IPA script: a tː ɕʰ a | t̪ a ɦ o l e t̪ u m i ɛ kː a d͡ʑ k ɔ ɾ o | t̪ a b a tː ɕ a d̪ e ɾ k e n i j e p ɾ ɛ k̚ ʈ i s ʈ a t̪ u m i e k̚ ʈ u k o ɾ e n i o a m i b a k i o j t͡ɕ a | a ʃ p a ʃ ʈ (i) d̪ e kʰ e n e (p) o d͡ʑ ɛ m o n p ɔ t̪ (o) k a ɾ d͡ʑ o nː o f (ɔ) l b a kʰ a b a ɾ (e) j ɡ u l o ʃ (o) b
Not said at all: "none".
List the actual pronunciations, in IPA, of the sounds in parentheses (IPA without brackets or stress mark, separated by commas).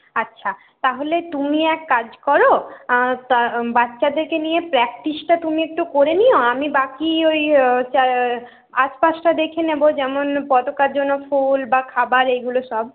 a, b, o, u, e, ɔ